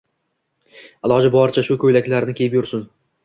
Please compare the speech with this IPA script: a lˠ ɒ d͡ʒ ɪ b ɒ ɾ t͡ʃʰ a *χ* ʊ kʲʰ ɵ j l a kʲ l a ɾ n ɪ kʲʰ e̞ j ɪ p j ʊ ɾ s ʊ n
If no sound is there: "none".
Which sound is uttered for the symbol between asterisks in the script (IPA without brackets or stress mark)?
ʃ